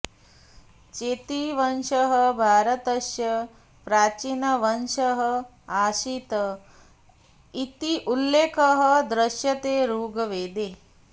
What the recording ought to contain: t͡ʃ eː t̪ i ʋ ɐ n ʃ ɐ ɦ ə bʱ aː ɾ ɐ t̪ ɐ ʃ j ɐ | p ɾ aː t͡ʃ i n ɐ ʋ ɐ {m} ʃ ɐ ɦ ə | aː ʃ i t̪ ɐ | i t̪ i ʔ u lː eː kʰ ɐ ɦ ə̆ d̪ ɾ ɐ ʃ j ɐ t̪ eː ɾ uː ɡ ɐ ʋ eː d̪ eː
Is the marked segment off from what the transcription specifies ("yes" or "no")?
yes